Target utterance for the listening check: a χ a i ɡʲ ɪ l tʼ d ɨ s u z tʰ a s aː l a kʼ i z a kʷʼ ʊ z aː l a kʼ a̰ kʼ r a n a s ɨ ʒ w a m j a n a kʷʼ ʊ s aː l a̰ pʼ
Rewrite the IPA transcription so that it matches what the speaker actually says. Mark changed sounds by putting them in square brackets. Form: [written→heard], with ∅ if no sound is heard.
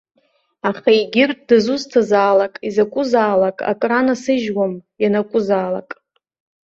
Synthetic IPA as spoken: a χ a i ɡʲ ɪ [l→r] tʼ d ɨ [s→z] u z tʰ a [s→z] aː l a kʼ i z a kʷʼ ʊ z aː l a kʼ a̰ kʼ r a n a s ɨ ʒ w a m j a n a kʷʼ ʊ [s→z] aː l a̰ [pʼ→kʼ]